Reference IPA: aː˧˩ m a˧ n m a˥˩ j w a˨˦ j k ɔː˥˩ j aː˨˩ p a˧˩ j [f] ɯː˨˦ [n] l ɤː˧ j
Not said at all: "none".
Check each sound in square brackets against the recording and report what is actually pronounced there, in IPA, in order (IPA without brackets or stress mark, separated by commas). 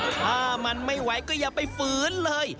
f, n